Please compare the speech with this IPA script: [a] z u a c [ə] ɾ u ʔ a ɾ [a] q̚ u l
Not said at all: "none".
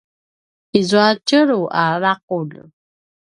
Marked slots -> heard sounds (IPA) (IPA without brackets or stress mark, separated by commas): i, ə, a